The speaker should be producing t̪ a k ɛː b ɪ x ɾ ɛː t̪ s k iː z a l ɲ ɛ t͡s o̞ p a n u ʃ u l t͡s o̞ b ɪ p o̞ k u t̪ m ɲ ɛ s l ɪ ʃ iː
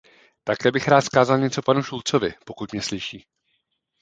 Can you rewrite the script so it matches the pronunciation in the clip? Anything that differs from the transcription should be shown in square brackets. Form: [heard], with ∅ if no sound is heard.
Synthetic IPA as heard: t̪ a k ɛː b ɪ x ɾ [aː] t̪ s k [aː] z a l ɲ ɛ t͡s o̞ p a n u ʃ u l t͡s o̞ [v] ɪ p o̞ k u t̪ m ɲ ɛ s l ɪ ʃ iː